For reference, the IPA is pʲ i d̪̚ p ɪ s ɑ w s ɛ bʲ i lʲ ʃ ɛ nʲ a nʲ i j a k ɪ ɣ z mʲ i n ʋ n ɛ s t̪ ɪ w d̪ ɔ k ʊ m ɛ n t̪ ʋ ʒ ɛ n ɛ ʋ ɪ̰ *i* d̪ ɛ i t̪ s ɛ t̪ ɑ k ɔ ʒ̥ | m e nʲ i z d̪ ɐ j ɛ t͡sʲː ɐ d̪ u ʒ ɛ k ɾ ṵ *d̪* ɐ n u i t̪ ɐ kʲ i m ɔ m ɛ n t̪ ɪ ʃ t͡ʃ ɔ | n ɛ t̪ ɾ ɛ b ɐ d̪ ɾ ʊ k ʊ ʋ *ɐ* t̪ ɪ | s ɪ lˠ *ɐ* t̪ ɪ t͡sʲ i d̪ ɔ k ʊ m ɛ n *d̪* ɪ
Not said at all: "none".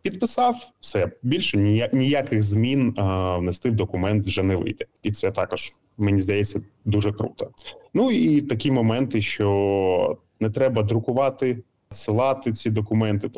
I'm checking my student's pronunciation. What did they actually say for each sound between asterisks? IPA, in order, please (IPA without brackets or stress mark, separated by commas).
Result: j, t̪, ɑ, ɑ, t̪